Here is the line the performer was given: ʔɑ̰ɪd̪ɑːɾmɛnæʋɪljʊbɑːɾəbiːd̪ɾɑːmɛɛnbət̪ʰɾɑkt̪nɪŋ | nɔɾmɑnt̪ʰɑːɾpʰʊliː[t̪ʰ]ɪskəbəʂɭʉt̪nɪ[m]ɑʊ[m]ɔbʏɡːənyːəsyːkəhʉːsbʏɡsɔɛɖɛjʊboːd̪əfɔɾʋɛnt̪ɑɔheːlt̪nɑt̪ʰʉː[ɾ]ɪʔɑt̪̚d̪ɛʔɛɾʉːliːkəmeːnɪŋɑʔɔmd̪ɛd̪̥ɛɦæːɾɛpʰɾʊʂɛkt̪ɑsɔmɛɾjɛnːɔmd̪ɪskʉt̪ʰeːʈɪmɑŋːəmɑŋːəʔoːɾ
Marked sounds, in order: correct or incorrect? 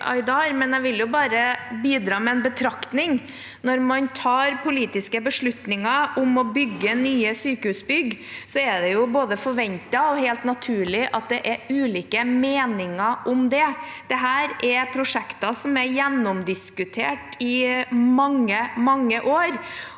incorrect: t̪, incorrect: ŋ, correct, incorrect: ɭ

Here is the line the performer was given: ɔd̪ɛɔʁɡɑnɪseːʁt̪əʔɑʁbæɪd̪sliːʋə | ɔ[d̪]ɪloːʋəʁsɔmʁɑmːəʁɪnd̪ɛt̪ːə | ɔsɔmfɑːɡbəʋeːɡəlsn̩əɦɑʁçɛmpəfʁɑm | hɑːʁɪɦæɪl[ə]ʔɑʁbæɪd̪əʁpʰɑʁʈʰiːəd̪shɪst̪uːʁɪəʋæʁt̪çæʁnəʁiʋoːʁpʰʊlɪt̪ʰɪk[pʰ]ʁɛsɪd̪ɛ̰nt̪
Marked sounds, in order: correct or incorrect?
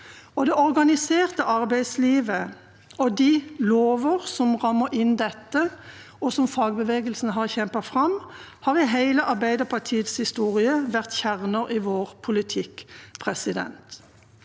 correct, correct, correct

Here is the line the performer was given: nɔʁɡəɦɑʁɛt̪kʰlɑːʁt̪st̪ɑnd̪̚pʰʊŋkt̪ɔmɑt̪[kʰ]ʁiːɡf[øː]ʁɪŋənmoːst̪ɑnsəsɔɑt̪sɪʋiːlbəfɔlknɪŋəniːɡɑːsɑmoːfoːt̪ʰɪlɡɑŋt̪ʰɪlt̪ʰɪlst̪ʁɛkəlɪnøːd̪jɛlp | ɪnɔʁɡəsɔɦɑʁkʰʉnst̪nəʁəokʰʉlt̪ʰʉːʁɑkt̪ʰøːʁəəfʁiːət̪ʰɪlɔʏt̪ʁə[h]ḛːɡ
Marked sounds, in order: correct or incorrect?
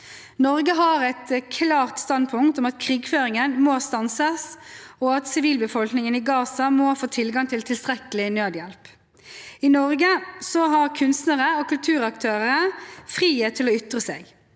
correct, correct, incorrect: s

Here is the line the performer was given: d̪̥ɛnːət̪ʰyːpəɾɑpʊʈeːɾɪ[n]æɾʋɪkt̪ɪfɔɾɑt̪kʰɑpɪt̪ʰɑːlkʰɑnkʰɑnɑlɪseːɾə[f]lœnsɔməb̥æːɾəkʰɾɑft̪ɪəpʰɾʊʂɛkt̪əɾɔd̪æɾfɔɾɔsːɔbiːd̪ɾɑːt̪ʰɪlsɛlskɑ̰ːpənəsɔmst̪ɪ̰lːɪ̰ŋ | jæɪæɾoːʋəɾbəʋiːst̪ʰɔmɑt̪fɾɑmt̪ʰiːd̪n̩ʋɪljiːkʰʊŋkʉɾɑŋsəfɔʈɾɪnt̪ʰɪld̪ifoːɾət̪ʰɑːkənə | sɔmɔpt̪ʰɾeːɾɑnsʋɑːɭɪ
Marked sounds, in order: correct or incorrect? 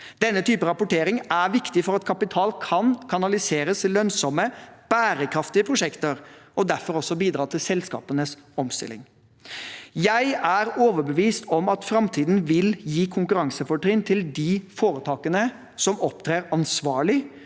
incorrect: ŋ, incorrect: s

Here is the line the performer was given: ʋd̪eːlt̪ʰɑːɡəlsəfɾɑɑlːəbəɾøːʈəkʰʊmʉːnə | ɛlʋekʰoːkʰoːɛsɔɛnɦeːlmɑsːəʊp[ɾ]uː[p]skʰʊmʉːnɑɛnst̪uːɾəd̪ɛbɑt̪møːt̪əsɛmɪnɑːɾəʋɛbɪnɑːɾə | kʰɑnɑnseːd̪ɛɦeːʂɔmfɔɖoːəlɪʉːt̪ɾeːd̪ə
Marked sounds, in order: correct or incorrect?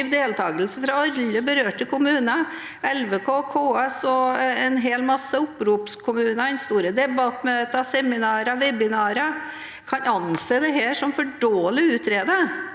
correct, correct

